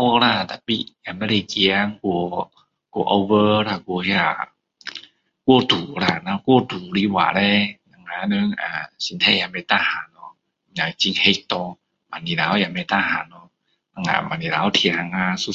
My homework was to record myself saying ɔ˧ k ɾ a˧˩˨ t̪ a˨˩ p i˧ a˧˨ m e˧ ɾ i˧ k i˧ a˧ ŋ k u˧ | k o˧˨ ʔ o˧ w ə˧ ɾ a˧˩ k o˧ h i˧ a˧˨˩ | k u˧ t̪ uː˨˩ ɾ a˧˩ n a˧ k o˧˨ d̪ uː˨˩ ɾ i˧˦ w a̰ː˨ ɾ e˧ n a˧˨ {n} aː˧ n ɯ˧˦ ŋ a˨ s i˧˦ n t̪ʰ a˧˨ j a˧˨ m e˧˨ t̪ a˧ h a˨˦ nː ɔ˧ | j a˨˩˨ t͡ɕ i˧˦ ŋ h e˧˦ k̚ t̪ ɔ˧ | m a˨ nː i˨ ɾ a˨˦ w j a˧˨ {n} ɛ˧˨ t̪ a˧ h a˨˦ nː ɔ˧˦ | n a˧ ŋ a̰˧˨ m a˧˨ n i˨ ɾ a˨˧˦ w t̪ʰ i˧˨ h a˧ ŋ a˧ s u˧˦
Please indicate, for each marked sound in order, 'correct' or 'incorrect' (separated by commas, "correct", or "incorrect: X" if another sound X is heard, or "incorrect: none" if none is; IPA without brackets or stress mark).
incorrect: ŋ, incorrect: m